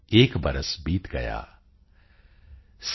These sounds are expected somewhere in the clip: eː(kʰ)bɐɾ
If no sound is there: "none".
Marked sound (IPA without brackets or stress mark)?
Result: k